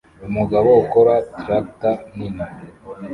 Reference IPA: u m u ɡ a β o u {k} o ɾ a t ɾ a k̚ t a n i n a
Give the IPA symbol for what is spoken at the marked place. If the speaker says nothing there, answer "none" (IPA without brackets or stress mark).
k